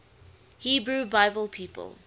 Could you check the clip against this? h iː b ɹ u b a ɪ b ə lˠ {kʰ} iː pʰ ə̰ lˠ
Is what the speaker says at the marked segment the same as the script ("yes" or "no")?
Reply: no